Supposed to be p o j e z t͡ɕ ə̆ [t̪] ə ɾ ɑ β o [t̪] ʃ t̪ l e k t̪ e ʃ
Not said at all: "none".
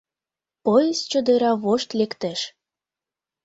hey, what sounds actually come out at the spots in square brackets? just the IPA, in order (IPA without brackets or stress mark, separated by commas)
d̪, none